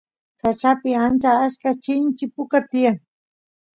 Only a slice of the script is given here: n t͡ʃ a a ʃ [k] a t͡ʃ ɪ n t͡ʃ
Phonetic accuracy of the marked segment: correct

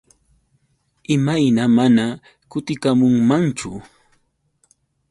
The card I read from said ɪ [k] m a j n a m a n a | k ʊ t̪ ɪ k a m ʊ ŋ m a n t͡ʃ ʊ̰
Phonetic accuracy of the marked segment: incorrect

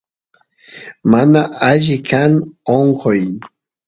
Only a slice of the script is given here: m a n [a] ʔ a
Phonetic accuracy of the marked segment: correct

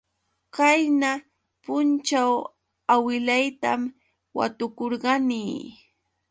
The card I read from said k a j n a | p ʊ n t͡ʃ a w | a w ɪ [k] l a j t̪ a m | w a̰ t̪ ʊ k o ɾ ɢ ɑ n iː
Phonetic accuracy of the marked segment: incorrect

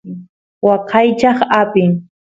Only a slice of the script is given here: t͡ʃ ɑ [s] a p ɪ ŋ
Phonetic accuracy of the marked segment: incorrect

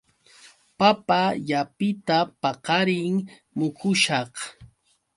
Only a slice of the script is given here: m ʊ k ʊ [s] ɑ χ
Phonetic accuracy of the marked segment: incorrect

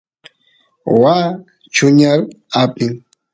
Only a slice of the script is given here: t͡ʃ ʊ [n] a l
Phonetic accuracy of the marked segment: incorrect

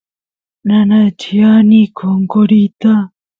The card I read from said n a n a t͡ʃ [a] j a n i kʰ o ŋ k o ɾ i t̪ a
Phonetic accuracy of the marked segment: incorrect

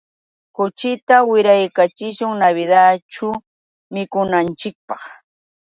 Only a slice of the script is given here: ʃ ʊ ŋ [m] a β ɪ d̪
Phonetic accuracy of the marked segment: incorrect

